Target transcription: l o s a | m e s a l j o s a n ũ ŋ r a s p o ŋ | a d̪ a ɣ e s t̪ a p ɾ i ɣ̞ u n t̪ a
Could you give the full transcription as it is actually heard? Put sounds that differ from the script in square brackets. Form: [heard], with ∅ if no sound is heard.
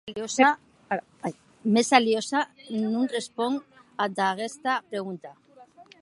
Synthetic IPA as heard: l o s a | m e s a l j o s a n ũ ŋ r [e] s p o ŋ | a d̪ a ɣ e s t̪ a p ɾ [e] ɣ̞ u n t̪ a

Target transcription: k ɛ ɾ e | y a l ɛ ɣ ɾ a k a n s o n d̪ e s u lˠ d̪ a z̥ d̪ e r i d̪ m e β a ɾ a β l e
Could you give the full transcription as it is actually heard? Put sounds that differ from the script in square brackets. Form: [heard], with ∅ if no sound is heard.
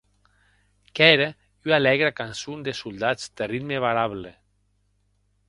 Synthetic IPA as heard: k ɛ ɾ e | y a l ɛ ɣ ɾ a k a n s [u] n d̪ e s u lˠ d̪ a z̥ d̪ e r i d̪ m e β a ɾ a β l e

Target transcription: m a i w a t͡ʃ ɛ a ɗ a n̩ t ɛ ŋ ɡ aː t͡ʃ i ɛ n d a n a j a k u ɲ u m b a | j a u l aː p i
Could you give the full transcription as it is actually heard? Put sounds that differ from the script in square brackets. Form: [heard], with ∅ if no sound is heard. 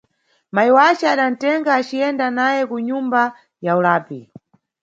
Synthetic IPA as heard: m a i w a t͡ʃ ɛ a ɗ a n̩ t ɛ ŋ ɡ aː t͡ʃ i ɛ n d a n a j [ɛ] k u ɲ u m b a | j a u l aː p i

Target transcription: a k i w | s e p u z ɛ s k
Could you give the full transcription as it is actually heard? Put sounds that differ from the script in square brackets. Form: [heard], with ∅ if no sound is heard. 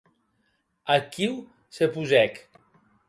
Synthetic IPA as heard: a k i w | s e p u z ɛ [∅] k

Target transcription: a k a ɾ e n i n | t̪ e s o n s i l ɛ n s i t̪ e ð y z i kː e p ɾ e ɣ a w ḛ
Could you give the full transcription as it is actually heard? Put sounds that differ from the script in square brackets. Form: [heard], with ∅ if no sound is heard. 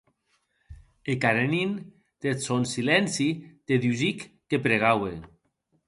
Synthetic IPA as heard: [e] k a ɾ e n i n | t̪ e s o n s i l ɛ n s i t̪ e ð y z i kː e p ɾ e ɣ a w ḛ

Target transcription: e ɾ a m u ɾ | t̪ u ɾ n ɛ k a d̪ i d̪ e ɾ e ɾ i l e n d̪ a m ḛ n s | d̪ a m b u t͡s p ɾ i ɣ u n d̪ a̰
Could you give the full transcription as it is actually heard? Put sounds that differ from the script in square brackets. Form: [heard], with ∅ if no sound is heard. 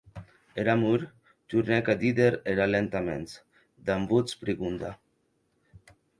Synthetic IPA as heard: e ɾ a m u ɾ | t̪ u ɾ n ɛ k a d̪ i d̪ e ɾ e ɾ [a] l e n [t̪] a m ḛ n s | d̪ a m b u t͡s p ɾ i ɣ u n d̪ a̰

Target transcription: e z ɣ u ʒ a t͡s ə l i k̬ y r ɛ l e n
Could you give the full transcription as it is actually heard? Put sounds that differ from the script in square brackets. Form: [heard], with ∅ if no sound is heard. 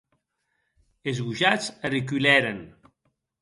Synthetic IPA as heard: e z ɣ u ʒ a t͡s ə [r] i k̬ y [l] ɛ [ɾ] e n

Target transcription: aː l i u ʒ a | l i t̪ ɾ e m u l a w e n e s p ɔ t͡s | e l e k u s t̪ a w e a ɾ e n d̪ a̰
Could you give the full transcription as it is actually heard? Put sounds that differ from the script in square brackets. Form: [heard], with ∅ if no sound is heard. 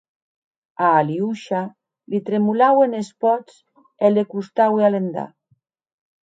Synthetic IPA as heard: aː l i u [ʃ] a | l i t̪ ɾ e m u l a w e n e s p ɔ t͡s | e l e k u s t̪ a w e a [l] e n d̪ a̰

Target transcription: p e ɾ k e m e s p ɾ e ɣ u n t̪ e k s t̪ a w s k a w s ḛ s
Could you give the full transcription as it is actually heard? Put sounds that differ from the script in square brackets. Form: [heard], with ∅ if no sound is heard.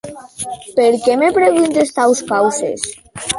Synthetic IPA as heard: p e ɾ k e m e [∅] p ɾ e ɣ u n t̪ e [∅] s t̪ a w s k a w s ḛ s

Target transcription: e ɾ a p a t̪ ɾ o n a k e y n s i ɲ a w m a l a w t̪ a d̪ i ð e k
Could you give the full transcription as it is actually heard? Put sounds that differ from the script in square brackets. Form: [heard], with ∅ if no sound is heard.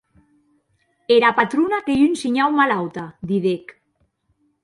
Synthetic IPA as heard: e ɾ a p a t̪ ɾ [u] n a k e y n s i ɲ a w m a l a w t̪ a d̪ i ð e k

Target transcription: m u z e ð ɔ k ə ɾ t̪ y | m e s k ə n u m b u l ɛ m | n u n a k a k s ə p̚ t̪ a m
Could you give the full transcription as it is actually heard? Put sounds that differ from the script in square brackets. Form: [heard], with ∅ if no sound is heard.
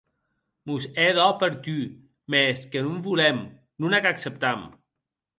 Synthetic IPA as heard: m u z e ð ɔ [p] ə ɾ t̪ y | m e s k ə n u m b u l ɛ m | n u n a k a k s ə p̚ t̪ a m

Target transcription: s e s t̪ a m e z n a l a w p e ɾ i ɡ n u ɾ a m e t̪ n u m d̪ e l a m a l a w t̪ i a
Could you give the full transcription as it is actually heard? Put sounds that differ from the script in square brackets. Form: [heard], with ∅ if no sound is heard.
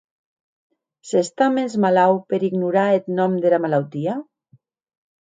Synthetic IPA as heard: s e s t̪ a m e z [m] a l a w p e ɾ i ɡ n u ɾ a [∅] e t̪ n [ɔ] m d̪ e l a m a l a w t̪ i a

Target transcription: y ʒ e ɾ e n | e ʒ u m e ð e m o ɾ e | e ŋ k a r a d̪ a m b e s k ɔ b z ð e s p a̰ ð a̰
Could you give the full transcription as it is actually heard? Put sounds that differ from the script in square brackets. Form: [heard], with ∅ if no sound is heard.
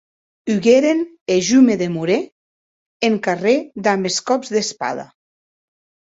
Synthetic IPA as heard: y [ɣ] e ɾ e n | e ʒ u m e ð e m [u] ɾ e | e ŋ k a r [e] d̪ a m b e s k ɔ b z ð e s p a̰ ð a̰

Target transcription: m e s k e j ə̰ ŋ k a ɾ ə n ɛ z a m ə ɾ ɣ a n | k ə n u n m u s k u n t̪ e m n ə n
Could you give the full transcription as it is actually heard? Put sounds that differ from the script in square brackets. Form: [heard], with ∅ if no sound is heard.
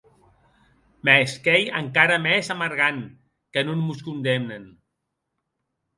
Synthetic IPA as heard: m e s k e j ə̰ ŋ k a ɾ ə [m] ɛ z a m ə ɾ ɣ a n | k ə n u n m u s k u n [d̪] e m n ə n

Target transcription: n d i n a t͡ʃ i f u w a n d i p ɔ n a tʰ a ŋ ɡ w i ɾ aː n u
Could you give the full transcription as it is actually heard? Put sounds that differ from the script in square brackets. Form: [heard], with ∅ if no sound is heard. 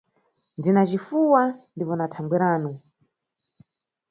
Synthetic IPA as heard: n d i n a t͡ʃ i f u w a n d i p ɔ n a tʰ a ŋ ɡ w i ɾ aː n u

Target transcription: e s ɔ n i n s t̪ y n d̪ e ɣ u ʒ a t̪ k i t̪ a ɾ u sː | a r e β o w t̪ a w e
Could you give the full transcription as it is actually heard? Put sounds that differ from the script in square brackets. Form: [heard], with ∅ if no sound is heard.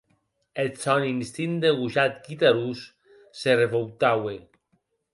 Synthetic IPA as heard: e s ɔ n i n s t̪ [i] n d̪ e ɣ u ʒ a t̪ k i t̪ a ɾ u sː | [e] r e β o w t̪ a w e

